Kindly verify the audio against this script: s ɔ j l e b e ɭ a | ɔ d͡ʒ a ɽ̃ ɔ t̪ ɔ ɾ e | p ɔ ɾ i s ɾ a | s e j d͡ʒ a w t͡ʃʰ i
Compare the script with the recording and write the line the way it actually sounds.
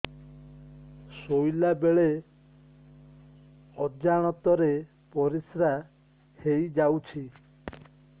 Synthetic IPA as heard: s o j l a b e ɭ e | ɔ d͡ʒ a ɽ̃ ɔ t̪ ɔ ɾ e | p ɔ ɾ i s ɾ a | h e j d͡ʒ a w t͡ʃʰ i